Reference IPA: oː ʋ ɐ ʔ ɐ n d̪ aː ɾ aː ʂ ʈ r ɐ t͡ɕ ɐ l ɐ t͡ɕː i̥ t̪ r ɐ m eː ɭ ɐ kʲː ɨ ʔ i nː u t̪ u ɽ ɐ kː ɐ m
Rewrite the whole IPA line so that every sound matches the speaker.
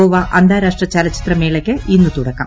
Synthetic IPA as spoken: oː ʋ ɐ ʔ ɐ n d̪ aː ɾ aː ʂ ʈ r ɐ t͡ɕ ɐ l ɐ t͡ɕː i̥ t̪ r ɐ m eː ɭ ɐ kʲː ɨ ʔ i nː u t̪ u ɽ ɐ kː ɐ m